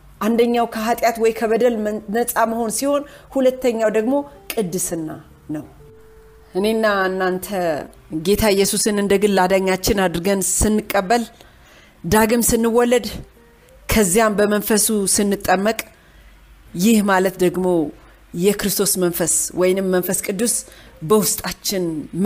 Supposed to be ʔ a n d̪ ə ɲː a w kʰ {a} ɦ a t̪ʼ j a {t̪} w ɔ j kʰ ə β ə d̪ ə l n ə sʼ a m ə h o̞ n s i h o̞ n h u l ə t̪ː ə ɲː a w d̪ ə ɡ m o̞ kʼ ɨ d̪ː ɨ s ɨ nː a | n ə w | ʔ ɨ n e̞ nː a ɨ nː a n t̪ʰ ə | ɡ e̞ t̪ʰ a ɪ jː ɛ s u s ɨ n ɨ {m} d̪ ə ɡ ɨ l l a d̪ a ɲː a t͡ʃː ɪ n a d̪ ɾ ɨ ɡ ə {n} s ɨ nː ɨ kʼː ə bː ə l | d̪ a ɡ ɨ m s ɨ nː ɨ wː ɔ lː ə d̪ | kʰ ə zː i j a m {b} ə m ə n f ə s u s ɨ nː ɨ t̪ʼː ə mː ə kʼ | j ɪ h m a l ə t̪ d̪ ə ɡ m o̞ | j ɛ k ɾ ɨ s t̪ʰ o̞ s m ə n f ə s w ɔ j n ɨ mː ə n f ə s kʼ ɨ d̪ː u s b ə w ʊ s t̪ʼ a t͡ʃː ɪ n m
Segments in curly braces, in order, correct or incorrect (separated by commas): incorrect, correct, incorrect, correct, correct